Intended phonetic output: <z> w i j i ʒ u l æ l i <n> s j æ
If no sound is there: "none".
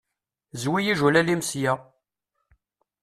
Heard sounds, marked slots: z, m

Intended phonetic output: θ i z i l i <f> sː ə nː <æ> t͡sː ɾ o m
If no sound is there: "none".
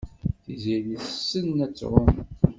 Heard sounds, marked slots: θ, æ

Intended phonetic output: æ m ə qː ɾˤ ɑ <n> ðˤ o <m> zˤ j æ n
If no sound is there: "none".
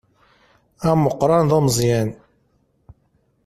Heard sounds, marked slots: n, m

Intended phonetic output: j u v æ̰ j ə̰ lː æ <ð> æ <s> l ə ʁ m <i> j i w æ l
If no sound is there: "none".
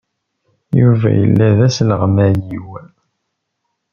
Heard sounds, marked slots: ð, s, æ

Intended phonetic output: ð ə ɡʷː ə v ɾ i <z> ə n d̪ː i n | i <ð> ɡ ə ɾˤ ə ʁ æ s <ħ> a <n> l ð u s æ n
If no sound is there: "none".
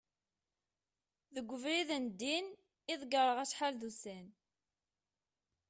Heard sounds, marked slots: ð, ð, ħ, none

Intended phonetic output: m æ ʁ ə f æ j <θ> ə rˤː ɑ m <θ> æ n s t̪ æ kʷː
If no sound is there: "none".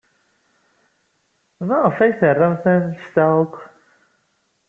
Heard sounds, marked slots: θ, θ

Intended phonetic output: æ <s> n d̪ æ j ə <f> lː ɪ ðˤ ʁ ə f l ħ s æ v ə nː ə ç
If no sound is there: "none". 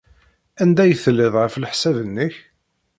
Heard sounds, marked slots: none, θ

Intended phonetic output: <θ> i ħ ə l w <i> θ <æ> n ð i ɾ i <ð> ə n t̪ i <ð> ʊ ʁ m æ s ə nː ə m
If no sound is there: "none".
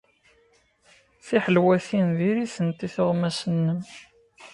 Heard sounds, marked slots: θ, æ, i, θ, θ

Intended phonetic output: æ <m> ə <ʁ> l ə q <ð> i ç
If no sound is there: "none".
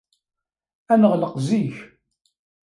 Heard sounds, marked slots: n, ʁ, z

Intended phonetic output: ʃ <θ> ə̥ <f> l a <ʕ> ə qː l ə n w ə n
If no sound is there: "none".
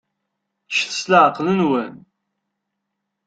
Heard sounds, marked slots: θ, s, ʕ

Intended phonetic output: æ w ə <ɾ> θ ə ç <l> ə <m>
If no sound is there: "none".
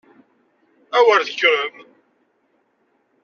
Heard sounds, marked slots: ɾ, ɾ, m

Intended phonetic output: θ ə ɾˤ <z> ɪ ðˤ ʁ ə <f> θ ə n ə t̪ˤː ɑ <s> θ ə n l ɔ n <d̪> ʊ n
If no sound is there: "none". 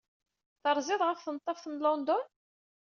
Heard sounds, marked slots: z, f, f, d̪

